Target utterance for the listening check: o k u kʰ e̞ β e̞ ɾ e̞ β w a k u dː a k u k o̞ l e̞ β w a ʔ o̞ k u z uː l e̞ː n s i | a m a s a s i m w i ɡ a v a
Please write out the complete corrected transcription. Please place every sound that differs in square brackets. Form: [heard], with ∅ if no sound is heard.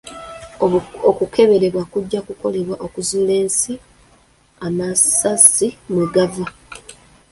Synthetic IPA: o k u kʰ e̞ β e̞ ɾ e̞ β w a k u [ɟː] a k u k o̞ l e̞ β w a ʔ o̞ k u z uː l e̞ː n s i | a m a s a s i m w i ɡ a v a